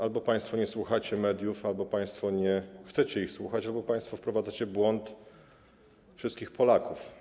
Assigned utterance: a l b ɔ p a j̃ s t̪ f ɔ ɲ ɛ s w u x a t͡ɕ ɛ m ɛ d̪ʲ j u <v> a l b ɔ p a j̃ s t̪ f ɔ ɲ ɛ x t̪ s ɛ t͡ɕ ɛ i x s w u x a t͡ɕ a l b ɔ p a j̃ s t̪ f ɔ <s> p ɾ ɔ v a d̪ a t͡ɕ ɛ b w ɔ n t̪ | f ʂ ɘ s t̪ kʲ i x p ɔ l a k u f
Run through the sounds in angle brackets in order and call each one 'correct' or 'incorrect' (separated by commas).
incorrect, incorrect